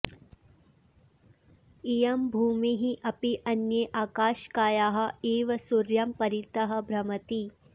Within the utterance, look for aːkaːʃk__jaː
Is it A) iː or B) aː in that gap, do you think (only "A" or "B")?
B